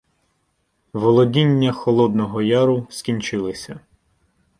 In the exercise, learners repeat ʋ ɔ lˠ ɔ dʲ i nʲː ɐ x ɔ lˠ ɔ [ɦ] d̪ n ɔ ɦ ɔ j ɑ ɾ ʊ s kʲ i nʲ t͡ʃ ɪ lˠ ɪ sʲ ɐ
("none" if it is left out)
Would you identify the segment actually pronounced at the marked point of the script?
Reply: none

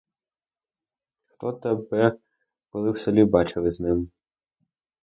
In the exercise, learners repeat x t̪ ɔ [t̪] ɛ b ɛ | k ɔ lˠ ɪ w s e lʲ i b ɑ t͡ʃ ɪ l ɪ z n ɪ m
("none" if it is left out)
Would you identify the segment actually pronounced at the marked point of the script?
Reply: t̪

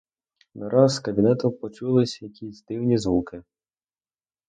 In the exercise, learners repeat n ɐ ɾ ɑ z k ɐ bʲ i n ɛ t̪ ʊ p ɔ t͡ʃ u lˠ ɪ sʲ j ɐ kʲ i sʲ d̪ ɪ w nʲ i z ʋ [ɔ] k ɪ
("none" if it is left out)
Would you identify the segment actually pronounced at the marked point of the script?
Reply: u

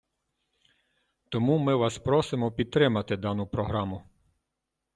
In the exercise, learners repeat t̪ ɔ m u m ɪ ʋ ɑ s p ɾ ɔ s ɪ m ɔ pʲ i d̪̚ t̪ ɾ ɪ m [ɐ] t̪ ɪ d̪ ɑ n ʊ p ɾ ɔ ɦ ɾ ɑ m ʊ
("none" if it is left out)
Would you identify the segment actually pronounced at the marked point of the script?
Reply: ɐ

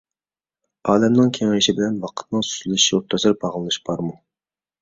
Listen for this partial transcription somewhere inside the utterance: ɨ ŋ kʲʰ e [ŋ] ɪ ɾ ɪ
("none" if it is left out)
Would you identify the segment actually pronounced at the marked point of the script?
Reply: ŋ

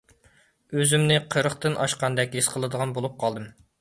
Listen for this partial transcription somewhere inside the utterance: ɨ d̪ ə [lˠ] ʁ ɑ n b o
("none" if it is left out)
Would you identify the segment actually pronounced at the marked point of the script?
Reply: none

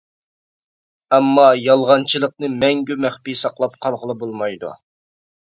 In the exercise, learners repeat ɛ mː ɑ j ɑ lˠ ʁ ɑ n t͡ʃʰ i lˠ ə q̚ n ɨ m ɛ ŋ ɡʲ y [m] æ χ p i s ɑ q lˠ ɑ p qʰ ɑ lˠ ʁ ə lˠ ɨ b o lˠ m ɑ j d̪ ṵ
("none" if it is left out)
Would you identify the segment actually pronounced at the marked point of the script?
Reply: m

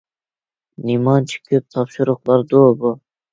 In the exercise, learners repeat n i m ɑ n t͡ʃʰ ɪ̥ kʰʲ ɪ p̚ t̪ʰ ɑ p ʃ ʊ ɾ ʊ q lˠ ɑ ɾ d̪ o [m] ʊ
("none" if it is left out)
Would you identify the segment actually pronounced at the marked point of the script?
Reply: b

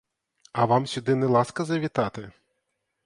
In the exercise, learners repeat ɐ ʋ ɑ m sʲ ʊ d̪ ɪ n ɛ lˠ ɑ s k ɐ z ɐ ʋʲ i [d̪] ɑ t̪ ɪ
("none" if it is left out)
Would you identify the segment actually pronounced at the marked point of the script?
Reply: t̪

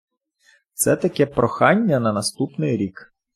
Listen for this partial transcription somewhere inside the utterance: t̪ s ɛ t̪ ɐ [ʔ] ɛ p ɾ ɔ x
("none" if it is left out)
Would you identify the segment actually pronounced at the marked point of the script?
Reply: k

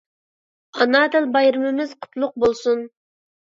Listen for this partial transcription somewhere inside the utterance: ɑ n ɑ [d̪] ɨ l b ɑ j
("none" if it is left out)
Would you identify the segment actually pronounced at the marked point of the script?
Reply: d̪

